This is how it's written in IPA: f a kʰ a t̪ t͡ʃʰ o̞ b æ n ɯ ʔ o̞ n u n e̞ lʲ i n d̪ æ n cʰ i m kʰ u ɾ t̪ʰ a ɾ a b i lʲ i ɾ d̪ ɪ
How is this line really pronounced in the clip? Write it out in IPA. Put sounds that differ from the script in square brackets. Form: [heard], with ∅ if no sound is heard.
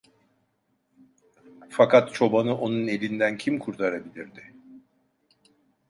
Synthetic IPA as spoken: f a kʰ a t̪ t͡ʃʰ o̞ b [a] n ɯ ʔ o̞ n u n e̞ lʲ i n d̪ æ n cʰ i m kʰ u ɾ t̪ʰ a ɾ a b i lʲ i ɾ d̪ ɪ